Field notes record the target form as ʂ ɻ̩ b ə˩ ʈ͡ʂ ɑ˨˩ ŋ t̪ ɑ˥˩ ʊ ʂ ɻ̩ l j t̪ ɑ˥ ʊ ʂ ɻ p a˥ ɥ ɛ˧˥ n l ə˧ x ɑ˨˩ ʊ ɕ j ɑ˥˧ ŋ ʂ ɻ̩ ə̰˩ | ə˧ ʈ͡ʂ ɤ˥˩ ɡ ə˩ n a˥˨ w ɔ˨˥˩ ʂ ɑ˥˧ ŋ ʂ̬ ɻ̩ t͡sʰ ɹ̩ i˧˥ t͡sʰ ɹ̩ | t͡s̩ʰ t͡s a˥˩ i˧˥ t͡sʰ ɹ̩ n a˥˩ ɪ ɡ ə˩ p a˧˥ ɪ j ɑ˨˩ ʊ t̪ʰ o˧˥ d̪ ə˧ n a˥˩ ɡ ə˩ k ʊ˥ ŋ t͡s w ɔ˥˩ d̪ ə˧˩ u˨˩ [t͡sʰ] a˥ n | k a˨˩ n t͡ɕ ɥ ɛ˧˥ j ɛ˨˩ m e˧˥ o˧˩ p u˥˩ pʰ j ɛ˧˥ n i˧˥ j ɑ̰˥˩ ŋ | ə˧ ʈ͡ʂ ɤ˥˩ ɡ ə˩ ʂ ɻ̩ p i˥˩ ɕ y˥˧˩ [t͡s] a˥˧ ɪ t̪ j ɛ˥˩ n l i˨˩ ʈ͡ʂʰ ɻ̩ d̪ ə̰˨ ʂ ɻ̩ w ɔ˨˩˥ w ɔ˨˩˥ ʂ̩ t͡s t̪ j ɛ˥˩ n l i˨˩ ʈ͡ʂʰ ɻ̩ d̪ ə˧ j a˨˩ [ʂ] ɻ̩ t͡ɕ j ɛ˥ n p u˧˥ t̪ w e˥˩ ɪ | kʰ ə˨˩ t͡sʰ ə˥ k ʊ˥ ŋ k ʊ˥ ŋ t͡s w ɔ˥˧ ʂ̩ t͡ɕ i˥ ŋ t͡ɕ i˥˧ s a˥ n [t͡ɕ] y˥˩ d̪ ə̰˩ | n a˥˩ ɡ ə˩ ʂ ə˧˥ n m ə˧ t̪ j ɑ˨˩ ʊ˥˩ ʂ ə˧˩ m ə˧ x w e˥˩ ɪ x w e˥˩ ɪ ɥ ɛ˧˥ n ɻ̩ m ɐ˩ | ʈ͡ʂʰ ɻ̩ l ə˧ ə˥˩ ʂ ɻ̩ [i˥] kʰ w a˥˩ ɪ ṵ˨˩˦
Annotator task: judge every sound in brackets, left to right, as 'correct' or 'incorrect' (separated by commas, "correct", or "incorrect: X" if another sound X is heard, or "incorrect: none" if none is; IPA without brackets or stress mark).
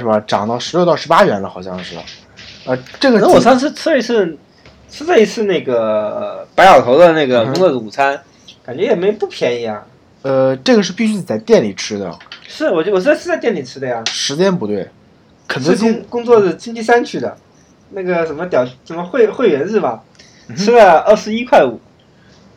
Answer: correct, correct, correct, incorrect: t͡ɕʰ, correct